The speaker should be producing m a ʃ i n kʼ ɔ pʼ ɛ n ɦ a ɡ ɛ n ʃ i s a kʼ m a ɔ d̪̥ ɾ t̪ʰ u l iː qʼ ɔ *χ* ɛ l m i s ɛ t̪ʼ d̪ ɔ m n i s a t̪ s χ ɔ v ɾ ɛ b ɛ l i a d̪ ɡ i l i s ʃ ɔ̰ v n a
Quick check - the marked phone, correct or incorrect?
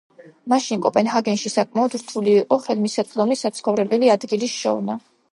correct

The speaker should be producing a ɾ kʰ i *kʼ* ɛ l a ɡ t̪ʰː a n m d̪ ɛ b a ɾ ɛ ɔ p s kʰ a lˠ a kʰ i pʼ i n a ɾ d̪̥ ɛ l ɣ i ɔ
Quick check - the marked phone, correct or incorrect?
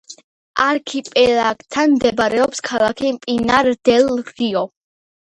incorrect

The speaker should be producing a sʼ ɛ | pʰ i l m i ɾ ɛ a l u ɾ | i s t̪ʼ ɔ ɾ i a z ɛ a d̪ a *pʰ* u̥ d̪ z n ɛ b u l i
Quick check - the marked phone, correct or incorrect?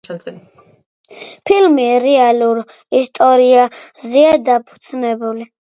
correct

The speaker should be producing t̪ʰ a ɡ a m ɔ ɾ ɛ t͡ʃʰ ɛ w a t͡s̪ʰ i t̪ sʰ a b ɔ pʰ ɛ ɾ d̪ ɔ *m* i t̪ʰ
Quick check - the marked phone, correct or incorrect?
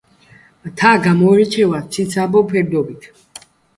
incorrect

